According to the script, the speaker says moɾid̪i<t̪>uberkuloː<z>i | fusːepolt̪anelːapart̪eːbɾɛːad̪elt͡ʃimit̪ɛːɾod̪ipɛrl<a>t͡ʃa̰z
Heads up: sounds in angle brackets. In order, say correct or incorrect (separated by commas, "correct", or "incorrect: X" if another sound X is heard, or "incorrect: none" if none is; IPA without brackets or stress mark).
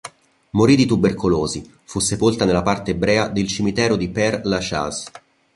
correct, correct, correct